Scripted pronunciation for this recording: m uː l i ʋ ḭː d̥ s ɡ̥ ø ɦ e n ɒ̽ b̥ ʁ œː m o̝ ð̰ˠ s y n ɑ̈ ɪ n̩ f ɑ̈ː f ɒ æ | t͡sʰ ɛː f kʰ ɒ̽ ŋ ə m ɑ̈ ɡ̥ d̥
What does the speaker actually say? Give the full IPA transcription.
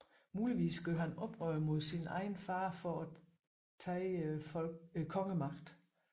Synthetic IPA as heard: m uː l i ʋ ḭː s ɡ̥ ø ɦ æ n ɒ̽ b̥ ʁ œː m o̝ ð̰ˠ s i n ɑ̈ ɪ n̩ f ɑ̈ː f ɒ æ | t͡sʰ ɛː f kʰ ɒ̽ ŋ ə m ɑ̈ ɡ̥ d̥